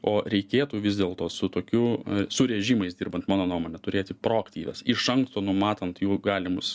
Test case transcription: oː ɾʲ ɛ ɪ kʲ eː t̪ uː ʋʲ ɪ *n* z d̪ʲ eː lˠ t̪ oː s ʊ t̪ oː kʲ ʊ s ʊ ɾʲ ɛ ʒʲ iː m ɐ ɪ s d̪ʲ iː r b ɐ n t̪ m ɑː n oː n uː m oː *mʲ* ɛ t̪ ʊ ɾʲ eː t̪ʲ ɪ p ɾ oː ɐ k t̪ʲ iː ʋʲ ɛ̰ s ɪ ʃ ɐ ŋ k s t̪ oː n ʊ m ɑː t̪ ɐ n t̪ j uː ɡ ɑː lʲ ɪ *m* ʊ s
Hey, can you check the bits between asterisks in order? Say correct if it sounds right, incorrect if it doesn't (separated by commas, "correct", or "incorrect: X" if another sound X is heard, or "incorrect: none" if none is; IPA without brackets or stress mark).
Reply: incorrect: none, incorrect: nʲ, correct